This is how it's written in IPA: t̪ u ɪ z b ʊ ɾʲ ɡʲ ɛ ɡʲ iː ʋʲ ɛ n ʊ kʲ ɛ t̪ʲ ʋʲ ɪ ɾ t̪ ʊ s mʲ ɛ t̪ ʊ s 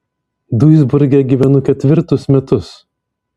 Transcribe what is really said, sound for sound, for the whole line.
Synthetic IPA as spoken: d̪ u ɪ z b ʊ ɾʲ ɡʲ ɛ ɡʲ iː ʋʲ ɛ n ʊ kʲ ɛ t̪ʲ ʋʲ ɪ ɾ t̪ ʊ s mʲ ɛ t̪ ʊ s

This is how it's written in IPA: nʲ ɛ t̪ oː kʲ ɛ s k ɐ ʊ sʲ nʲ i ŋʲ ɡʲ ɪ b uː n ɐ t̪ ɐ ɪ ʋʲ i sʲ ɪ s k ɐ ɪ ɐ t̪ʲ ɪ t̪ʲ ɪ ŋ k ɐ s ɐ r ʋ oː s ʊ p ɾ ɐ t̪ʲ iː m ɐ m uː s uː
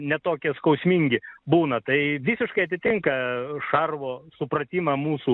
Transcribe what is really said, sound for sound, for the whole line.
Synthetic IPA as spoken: nʲ ɛ t̪ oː kʲ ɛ s k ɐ ʊ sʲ mʲ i ŋʲ ɡʲ ɪ b uː n ɐ t̪ ɐ ɪ ʋʲ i sʲ ɪ ʃ k ɐ ɪ ɐ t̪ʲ ɪ t̪ʲ ɪ ŋ k ɐ ʃ ɐ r ʋ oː s ʊ p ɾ ɐ t̪ʲ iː m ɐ m uː s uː

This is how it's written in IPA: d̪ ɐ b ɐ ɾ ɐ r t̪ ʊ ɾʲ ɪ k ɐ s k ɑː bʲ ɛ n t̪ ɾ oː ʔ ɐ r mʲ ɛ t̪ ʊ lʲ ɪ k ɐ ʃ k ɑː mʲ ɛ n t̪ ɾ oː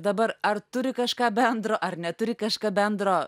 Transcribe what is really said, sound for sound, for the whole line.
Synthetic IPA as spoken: d̪ ɐ b ɐ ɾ ɐ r t̪ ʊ ɾʲ ɪ k ɐ ʃ k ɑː bʲ ɛ n d̪ ɾ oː ʔ ɐ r nʲ ɛ t̪ ʊ ɾʲ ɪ k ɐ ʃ k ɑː bʲ ɛ n d̪ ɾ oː

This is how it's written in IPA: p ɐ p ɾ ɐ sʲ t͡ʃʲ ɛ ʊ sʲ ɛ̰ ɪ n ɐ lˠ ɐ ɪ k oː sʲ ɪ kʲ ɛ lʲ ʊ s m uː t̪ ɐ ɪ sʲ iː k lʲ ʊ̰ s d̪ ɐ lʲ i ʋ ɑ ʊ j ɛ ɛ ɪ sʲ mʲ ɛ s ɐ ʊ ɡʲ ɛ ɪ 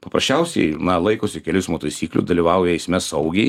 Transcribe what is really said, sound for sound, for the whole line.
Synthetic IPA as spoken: p ɐ p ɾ ɐ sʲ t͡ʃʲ ɛ ʊ sʲ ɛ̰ ɪ n ɐ lˠ ɐ ɪ k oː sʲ ɪ kʲ ɛ lʲ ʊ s m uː t̪ ɐ ɪ sʲ iː k lʲ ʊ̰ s d̪ ɐ lʲ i ʋ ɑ ʊ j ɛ ɛ ɪ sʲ mʲ ɛ s ɐ ʊ ɡʲ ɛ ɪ

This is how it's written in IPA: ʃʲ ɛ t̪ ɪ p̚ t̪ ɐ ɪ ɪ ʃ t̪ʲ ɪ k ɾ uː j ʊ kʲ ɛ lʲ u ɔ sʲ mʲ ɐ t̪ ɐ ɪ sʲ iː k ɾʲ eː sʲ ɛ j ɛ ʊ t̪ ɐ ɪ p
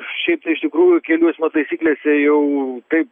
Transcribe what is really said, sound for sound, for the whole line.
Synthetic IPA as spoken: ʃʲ ɛ ɪ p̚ t̪ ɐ ɪ ɪ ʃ t̪ʲ ɪ k ɾ uː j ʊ kʲ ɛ lʲ u ɔ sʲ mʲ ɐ t̪ ɐ ɪ sʲ iː k lʲ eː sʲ ɛ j ɛ ʊ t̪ ɐ ɪ p

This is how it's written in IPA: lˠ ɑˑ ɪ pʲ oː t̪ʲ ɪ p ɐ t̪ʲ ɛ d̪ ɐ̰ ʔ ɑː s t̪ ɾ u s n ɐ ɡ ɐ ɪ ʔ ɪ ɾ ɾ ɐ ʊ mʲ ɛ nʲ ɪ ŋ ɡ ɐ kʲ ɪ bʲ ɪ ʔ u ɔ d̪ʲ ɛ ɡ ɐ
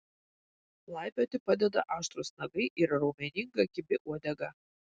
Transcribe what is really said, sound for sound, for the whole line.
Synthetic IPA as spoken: lˠ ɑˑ ɪ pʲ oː t̪ʲ ɪ p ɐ d̪ʲ ɛ d̪ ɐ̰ ʔ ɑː ʃ t̪ ɾ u s n ɐ ɡ ɐ ɪ ʔ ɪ ɾ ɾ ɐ ʊ mʲ ɛ nʲ ɪ ŋ ɡ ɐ kʲ ɪ bʲ ɪ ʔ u ɔ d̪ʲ ɛ ɡ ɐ

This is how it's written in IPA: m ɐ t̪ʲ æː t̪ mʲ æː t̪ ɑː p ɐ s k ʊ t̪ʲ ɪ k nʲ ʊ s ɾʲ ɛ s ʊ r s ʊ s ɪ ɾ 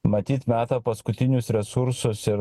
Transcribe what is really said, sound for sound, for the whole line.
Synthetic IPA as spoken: m ɐ t̪ʲ iː t̪ mʲ æː t̪ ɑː p ɐ s k ʊ t̪ʲ ɪ nʲ ʊ s ɾʲ ɛ s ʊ ɾ s ʊ s ɪ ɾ

